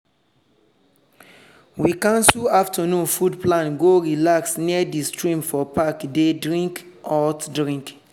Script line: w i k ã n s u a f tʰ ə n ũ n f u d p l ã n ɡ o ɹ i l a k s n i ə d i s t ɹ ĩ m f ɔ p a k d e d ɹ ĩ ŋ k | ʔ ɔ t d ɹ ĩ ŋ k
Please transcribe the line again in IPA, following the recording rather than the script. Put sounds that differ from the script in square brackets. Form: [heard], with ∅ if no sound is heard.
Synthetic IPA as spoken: w i k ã n s u a f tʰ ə n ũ n f u d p l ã n ɡ o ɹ i l a k s n i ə d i s t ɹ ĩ m f ɔ p a k d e d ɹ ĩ ŋ k | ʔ ɔ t d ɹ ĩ ŋ k